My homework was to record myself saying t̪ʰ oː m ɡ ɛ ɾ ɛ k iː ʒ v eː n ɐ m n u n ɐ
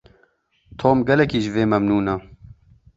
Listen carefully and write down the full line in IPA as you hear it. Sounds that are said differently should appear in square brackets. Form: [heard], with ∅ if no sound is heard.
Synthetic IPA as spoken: t̪ʰ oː m ɡ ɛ [l] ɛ k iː ʒ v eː [m] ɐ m n [uː] n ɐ